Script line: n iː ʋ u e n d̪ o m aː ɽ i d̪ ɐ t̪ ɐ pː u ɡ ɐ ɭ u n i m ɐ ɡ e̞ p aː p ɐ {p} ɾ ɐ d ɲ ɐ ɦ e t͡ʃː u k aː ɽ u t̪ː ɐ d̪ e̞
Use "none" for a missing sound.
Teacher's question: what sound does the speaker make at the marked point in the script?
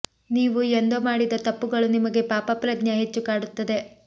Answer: p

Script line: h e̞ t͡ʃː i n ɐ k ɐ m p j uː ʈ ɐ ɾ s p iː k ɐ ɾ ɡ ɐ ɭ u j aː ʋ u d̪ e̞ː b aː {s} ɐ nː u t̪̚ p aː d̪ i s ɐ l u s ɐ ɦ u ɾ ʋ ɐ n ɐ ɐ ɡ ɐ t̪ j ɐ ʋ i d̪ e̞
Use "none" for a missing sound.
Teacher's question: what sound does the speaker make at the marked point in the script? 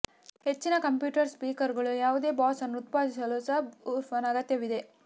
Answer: s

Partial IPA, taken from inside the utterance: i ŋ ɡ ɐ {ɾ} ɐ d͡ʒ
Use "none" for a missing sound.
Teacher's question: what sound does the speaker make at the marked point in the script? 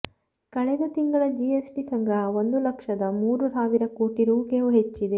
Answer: ɭ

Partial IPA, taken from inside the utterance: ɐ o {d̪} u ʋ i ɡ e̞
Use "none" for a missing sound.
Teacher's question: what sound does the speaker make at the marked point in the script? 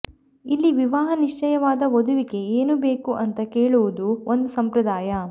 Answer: d̪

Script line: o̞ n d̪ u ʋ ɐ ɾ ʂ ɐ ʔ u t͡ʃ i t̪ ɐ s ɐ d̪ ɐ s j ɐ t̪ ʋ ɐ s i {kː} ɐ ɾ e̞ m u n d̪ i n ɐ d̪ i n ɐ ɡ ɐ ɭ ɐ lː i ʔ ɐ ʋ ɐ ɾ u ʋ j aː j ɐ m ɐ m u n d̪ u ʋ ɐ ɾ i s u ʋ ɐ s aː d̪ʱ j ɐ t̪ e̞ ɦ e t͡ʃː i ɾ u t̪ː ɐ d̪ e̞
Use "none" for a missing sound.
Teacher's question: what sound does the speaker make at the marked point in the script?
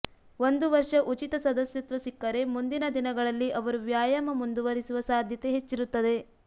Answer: kː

